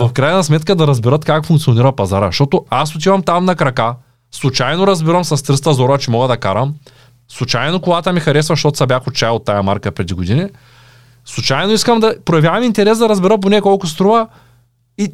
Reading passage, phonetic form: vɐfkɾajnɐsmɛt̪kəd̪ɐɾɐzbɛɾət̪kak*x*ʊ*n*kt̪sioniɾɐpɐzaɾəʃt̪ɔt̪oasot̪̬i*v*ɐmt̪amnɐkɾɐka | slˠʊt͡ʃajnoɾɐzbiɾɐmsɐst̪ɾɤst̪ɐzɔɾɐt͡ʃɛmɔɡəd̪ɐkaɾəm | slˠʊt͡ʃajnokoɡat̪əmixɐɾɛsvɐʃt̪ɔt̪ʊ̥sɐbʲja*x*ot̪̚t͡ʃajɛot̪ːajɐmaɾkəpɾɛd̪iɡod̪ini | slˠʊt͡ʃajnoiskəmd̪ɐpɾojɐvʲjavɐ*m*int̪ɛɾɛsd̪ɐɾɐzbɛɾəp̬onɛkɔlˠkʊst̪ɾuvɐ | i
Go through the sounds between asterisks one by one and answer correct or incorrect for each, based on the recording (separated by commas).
incorrect, incorrect, correct, correct, correct